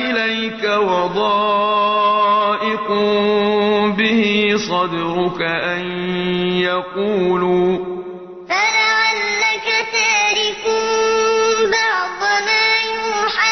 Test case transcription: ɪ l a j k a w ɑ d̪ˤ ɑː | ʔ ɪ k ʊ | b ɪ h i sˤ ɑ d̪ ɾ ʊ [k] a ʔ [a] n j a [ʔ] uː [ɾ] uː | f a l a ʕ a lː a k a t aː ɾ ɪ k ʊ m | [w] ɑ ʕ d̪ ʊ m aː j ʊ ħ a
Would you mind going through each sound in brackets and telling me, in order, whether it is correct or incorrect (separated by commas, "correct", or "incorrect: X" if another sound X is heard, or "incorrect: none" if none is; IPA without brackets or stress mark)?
correct, correct, incorrect: q, incorrect: l, incorrect: b